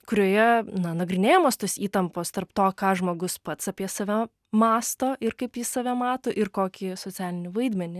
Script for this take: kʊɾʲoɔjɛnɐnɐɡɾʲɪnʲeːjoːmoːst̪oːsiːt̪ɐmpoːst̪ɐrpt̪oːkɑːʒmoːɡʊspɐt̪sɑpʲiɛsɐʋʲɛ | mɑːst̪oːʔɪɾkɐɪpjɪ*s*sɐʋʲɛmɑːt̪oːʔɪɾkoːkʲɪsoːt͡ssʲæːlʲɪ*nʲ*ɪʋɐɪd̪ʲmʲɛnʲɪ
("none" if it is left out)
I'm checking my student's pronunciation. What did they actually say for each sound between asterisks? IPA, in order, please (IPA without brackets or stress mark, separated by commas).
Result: s, nʲ